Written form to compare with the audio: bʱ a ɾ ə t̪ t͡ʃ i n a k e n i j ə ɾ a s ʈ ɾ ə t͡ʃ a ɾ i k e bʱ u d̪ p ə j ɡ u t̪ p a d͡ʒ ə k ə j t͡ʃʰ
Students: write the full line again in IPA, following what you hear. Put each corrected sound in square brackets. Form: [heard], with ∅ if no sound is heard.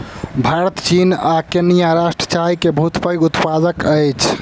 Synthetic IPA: bʱ a ɾ ə t̪ t͡ʃ i n a k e n i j [a] ɾ a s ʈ ɾ ə t͡ʃ a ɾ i k e bʱ u [t̪] p ə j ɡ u t̪ p a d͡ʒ ə k ə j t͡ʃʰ